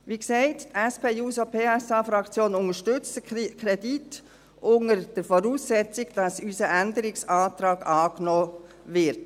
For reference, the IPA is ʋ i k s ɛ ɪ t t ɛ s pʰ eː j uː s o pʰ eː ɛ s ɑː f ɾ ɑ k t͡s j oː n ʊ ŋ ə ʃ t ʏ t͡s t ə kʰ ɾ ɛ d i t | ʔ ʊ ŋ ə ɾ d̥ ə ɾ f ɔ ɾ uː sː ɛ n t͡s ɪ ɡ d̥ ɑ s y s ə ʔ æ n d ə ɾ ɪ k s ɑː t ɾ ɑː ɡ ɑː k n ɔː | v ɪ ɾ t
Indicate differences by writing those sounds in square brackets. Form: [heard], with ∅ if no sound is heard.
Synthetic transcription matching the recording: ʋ i k s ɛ ɪ t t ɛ s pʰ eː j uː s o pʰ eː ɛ s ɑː f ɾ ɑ k t͡s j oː n ʊ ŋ ə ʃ t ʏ t͡s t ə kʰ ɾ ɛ d i t | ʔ ʊ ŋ ə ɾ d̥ ə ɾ f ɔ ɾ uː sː ɛ [∅] t͡s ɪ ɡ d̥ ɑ s y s ə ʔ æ n d ə ɾ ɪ k s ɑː t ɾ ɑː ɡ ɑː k n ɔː | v ɪ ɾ t